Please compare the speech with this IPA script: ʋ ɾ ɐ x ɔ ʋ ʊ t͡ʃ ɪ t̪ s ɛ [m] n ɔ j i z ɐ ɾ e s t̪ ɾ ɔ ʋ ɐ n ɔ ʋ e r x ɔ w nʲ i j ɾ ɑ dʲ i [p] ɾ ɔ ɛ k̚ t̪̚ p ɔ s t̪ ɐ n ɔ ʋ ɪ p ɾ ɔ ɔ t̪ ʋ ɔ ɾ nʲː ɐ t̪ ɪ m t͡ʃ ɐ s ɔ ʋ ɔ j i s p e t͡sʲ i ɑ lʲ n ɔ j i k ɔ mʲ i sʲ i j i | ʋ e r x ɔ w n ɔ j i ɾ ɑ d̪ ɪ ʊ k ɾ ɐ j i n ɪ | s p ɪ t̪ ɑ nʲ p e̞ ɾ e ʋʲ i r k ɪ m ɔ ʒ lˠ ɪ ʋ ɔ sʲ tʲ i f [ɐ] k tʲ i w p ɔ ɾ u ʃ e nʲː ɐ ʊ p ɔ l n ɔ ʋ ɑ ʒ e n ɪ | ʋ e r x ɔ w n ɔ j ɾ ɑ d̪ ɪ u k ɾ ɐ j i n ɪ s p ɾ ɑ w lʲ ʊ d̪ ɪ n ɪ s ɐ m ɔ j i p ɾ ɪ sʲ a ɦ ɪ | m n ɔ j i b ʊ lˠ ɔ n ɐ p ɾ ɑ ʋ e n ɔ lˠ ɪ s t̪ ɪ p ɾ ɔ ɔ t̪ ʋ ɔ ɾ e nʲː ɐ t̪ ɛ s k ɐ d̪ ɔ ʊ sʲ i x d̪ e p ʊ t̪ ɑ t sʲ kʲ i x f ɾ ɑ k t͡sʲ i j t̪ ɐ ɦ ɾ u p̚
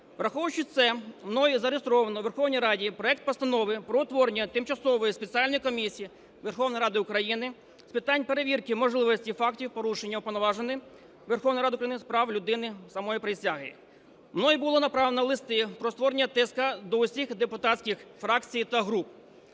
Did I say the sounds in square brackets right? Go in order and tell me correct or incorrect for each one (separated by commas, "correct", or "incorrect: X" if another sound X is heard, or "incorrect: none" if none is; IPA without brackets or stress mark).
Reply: correct, correct, incorrect: ɑ